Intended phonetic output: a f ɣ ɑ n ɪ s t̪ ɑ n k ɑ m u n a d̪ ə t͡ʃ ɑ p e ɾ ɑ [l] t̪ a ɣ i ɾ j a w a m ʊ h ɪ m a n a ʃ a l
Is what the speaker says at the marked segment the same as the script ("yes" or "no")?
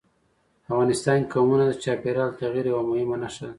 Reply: yes